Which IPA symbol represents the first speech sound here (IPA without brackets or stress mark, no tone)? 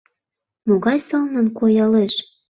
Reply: m